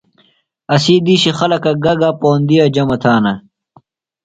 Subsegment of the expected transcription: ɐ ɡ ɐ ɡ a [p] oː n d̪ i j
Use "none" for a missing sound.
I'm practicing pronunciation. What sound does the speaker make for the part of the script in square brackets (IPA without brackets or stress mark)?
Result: p